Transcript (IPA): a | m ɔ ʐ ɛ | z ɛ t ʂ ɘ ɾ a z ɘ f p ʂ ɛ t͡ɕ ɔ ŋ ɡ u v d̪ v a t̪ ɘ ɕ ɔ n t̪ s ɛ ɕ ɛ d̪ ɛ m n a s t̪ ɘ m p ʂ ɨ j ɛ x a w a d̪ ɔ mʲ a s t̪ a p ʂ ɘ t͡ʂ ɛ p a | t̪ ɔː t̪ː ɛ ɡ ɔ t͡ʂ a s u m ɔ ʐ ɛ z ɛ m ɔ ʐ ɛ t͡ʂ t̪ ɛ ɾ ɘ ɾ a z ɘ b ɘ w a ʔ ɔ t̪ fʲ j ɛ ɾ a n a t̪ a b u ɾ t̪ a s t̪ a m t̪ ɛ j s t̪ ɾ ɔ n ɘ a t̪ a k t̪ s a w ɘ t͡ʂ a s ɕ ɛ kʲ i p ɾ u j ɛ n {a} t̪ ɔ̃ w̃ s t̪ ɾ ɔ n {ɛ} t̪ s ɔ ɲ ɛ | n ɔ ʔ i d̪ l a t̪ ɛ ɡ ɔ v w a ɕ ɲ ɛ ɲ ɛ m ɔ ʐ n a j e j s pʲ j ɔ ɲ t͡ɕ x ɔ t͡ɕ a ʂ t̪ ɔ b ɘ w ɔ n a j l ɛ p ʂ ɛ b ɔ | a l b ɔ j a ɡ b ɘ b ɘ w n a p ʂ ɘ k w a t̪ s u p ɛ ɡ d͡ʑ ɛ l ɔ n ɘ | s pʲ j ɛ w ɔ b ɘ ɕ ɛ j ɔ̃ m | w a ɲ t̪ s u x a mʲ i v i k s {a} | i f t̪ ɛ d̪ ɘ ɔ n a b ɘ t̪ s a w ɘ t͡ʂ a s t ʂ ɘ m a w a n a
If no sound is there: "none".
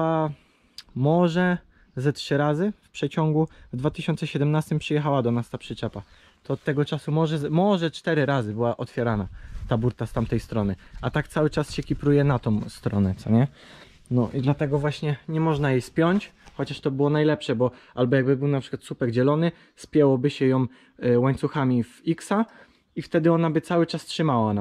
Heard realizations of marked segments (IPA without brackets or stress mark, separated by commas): a, ɛ, a